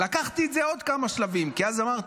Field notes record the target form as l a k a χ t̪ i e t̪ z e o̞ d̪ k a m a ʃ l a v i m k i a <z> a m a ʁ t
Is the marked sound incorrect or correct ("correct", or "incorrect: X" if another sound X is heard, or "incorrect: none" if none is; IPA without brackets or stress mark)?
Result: correct